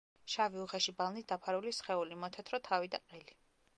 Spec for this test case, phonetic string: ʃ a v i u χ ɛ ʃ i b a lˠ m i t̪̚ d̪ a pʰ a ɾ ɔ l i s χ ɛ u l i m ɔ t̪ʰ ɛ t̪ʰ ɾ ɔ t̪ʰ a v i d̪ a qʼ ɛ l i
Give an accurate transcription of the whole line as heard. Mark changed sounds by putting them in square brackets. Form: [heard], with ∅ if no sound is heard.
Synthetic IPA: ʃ a v i u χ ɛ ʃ i b a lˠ [n] i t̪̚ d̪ a pʰ a ɾ [u] l i s χ ɛ u l i m ɔ t̪ʰ ɛ t̪ʰ ɾ ɔ t̪ʰ a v i d̪ a qʼ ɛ l i